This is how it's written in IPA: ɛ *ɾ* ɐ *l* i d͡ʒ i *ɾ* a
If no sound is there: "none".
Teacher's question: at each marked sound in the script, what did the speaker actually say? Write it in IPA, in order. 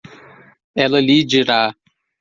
l, l, ɾ

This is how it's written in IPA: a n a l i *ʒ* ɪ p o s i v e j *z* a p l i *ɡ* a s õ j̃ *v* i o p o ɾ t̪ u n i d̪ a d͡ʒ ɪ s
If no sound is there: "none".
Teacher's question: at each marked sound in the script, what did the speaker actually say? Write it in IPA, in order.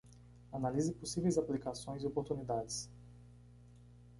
z, z, k, z

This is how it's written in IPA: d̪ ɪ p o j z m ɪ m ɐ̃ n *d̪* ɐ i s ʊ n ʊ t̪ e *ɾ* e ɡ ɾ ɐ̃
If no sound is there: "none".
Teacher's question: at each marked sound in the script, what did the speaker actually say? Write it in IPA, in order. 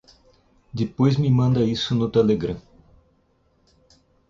d̪, l

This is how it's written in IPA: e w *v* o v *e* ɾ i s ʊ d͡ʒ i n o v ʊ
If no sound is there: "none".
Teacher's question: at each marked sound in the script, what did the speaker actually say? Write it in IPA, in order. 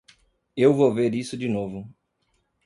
v, e

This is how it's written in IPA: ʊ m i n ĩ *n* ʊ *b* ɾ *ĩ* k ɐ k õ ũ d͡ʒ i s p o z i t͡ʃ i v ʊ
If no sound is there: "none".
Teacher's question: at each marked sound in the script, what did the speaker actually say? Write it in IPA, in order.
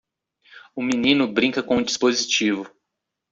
n, b, ĩ

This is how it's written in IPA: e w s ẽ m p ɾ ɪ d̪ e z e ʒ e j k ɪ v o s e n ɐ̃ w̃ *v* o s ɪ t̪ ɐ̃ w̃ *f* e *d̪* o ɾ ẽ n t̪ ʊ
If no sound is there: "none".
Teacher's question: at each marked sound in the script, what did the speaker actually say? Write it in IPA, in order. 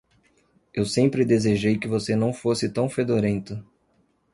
f, f, d̪

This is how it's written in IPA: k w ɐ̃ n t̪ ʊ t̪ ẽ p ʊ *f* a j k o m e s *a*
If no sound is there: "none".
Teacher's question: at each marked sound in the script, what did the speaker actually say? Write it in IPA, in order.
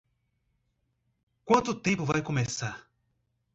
v, a

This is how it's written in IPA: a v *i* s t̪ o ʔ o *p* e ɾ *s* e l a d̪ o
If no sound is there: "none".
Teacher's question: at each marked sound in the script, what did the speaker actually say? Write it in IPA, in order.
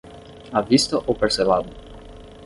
i, p, s

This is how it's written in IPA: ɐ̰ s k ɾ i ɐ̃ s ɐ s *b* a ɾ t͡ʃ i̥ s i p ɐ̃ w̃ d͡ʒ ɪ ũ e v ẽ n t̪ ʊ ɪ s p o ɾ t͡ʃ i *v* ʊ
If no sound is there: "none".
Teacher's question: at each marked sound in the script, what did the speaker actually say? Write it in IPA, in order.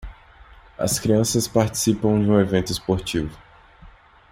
p, v

